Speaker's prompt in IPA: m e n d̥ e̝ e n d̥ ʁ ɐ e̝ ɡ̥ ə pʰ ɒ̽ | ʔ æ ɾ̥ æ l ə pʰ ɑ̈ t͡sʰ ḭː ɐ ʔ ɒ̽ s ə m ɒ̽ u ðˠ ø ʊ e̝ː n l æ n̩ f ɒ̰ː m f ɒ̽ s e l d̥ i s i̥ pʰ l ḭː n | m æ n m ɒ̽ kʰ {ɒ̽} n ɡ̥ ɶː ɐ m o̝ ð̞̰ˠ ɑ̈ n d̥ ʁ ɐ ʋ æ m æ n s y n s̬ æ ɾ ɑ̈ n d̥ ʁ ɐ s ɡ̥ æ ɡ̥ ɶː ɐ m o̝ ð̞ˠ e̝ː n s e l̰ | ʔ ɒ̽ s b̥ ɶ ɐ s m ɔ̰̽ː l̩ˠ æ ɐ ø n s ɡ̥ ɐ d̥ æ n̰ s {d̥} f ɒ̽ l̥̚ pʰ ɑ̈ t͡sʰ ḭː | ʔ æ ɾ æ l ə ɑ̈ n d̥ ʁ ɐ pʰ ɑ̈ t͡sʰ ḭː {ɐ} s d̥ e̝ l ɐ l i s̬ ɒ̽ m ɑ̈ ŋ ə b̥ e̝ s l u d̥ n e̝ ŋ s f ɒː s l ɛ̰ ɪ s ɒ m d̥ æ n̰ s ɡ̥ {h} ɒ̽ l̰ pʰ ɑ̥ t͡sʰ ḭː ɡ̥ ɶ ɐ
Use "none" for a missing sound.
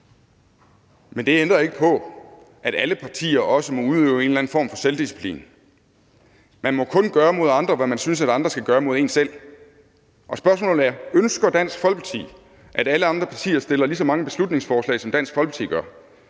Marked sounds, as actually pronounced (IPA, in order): ɔ̽, ɡ̥, ɐ, f

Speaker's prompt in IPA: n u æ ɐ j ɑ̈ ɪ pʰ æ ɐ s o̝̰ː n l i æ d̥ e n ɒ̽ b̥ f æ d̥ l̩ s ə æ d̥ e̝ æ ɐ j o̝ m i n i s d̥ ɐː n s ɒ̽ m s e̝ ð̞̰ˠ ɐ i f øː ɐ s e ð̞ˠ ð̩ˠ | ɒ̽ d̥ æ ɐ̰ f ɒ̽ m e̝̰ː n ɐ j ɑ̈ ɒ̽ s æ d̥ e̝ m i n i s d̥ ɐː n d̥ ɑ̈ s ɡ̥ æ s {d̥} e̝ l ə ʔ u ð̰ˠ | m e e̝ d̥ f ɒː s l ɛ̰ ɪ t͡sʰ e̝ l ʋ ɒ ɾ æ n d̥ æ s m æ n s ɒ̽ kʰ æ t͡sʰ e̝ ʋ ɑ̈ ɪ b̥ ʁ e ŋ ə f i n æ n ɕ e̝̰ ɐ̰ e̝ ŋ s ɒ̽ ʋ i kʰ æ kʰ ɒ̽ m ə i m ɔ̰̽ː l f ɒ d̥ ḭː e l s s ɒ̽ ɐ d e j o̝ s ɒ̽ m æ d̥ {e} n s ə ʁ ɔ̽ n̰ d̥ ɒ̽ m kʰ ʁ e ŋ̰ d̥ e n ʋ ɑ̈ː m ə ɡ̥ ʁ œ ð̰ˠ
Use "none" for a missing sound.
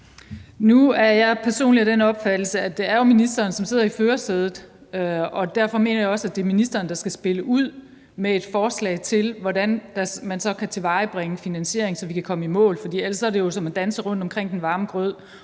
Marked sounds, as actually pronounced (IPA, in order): b̥, æ

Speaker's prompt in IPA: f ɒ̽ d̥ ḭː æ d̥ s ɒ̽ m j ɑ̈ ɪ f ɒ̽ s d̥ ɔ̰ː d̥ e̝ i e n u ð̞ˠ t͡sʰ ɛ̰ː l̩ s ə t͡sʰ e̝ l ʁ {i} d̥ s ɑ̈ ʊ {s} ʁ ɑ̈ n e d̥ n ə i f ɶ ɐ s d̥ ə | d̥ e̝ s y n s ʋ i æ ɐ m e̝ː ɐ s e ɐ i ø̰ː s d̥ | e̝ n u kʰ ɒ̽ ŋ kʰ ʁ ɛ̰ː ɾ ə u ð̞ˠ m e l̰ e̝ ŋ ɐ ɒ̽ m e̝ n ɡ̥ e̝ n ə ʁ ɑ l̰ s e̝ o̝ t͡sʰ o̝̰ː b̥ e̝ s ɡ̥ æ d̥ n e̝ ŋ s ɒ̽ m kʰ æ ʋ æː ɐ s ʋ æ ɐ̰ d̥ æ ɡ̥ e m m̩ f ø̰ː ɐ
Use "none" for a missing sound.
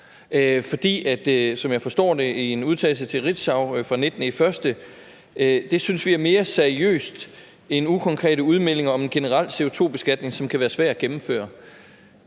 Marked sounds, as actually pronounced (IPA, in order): i, f

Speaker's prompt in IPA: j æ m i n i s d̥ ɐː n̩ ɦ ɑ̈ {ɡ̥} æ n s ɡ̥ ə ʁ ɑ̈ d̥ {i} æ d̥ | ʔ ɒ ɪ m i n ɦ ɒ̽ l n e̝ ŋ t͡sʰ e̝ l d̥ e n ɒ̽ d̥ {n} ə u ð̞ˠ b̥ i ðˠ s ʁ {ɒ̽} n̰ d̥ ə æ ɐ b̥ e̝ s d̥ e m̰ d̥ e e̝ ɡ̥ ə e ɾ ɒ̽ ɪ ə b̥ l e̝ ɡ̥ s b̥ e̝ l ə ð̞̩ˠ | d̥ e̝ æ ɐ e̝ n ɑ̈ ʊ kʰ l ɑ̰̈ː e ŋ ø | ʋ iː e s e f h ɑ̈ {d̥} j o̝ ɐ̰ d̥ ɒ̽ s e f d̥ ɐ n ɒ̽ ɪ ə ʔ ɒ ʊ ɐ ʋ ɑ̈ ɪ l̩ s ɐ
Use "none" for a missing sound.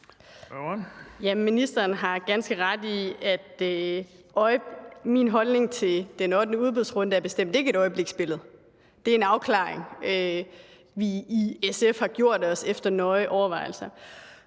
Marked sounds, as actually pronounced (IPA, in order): ɡ̥, i, n, ɔ̽, ɡ̥

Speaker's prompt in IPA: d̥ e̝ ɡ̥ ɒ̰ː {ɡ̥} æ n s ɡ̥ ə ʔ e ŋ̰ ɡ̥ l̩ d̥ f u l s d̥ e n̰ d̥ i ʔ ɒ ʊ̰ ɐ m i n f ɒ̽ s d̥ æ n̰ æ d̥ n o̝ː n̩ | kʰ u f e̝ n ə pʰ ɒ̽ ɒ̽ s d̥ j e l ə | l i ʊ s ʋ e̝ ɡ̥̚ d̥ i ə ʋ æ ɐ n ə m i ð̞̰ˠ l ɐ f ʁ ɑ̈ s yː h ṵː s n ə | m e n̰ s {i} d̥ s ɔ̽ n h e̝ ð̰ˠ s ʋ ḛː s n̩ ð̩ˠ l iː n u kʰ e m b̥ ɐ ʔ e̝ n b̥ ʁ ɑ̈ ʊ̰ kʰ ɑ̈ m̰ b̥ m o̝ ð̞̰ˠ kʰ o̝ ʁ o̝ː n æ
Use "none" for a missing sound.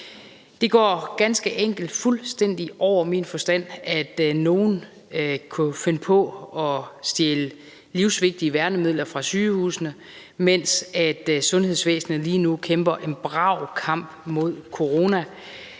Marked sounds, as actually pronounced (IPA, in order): ɡ̥, æ

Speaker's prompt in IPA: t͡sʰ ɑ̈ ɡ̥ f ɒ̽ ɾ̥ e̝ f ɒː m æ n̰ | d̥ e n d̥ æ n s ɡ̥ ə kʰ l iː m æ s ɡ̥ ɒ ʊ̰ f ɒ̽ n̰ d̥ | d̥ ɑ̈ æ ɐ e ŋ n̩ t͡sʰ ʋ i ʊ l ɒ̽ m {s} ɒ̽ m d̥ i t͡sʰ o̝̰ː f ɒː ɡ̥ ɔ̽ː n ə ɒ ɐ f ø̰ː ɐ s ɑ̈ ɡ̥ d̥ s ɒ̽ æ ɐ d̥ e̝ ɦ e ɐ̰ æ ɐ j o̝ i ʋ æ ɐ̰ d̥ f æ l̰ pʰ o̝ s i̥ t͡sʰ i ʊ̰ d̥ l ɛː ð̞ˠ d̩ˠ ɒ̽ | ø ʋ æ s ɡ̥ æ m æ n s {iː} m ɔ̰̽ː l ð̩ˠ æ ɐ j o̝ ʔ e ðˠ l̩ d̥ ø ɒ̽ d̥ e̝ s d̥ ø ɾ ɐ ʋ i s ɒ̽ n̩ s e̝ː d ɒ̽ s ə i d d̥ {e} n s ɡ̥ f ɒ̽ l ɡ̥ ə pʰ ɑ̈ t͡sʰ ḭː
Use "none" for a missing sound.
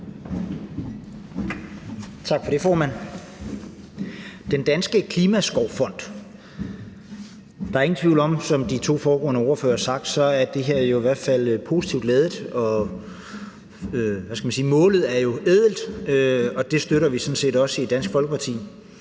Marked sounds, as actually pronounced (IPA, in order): s, iː, æ

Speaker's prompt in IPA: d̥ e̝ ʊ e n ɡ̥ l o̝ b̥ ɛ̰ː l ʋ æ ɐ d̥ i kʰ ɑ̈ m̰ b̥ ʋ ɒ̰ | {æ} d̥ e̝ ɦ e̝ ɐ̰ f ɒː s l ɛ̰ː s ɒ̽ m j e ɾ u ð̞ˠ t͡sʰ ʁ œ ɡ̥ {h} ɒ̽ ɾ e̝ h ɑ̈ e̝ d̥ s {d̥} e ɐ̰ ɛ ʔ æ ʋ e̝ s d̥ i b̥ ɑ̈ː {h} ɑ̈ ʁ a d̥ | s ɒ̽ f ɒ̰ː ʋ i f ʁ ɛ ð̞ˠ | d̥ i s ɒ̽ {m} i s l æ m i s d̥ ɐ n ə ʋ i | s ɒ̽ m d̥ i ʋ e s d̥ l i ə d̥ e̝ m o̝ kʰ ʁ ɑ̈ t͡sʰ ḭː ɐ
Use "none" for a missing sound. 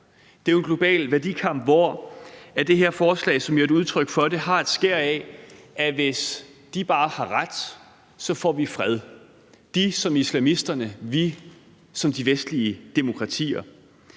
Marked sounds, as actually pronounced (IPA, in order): æ, f, ɡ̥, h, m

